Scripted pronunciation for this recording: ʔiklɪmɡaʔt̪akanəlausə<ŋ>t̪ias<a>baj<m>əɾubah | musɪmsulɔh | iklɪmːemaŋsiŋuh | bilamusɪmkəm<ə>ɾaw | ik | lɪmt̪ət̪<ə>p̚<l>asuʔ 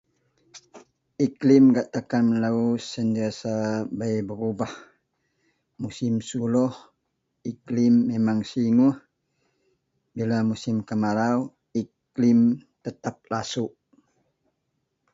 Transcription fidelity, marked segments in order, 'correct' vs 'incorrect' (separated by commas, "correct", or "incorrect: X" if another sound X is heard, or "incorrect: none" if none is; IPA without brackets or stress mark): incorrect: n, correct, incorrect: b, incorrect: a, incorrect: a, correct